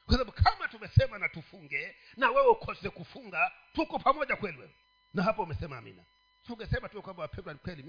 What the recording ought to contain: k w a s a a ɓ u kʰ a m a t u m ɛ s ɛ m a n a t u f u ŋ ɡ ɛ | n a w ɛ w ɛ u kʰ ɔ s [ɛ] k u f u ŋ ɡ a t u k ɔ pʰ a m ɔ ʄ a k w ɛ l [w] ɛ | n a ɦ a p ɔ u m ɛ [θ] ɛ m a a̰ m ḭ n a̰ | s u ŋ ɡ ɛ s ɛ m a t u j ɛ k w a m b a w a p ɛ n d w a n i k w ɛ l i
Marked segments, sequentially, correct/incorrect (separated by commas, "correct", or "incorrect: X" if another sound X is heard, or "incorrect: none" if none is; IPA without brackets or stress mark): correct, correct, incorrect: s